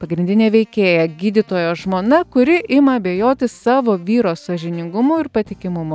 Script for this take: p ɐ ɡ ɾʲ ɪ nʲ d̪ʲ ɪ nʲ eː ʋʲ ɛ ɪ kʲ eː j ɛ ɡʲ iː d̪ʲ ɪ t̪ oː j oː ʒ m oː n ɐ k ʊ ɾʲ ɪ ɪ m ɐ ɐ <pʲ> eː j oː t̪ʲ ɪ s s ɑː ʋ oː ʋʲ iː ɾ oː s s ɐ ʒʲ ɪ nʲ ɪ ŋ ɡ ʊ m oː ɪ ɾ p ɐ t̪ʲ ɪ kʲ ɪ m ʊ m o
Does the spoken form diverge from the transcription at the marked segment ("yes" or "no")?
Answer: yes